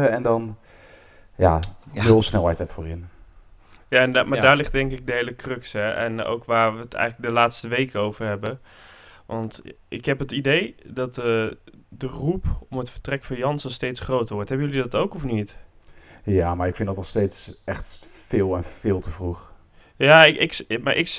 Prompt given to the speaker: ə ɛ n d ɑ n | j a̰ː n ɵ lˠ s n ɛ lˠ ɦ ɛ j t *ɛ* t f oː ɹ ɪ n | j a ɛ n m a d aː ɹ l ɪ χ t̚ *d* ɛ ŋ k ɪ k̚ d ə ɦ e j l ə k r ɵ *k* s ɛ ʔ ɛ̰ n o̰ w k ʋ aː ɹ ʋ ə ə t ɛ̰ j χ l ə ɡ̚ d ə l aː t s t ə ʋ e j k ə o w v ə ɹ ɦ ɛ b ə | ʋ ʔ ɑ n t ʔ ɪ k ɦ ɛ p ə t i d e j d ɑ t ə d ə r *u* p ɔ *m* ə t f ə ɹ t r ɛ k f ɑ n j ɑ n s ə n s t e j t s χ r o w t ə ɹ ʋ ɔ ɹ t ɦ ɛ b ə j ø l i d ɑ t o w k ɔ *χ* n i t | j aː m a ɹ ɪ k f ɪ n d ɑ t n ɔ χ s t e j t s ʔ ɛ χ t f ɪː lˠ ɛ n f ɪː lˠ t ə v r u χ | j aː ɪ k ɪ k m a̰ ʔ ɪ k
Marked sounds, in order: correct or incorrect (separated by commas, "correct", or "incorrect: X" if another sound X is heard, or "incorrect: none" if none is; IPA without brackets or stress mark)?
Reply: correct, correct, correct, correct, correct, incorrect: f